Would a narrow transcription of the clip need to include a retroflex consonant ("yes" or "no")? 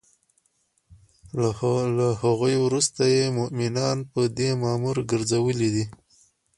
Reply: no